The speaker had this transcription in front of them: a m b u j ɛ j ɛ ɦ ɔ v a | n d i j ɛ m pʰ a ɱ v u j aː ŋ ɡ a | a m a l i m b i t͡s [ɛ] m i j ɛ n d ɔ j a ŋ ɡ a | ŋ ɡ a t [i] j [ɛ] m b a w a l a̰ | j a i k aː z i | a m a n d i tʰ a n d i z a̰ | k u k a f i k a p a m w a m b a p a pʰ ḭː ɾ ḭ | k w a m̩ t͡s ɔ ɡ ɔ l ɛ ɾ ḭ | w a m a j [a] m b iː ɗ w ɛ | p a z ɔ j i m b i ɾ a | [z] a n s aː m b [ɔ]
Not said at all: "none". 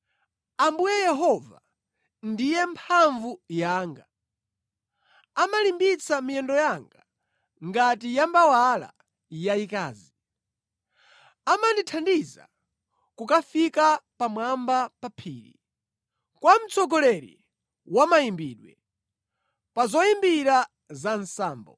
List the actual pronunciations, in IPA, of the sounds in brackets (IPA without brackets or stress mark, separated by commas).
a, i, a, i, z, ɔ